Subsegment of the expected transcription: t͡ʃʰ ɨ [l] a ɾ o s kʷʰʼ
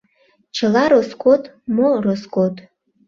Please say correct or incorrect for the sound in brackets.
correct